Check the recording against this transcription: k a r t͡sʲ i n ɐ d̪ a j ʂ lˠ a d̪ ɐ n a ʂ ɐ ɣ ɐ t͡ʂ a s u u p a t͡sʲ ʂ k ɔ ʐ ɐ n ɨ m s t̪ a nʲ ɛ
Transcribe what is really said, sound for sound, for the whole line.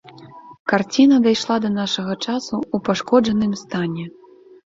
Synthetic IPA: k a r t͡sʲ i n ɐ d̪ a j ʂ lˠ a d̪ ɐ n a ʂ ɐ ɣ ɐ t͡ʂ a s u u p a ʂ k ɔ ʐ ɐ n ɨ m s t̪ a nʲ ɛ